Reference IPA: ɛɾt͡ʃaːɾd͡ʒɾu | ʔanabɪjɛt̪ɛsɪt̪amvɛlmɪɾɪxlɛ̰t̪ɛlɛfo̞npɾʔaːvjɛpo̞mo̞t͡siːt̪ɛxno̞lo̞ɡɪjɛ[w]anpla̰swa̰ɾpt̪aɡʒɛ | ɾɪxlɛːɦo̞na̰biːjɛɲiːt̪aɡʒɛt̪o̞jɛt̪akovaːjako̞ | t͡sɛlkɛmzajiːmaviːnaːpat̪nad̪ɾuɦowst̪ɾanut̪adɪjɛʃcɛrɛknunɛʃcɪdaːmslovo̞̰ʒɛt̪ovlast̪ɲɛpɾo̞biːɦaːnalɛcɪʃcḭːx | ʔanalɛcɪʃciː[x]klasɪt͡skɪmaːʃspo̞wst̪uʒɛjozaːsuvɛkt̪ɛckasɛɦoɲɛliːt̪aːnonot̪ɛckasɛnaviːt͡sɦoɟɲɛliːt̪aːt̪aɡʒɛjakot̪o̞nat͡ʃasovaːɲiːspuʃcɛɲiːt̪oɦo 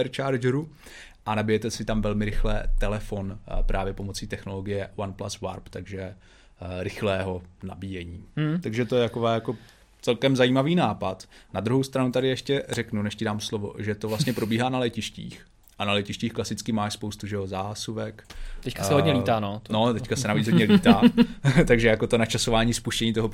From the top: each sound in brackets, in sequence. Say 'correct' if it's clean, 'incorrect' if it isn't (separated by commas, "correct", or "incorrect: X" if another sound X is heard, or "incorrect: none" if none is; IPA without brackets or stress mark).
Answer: correct, correct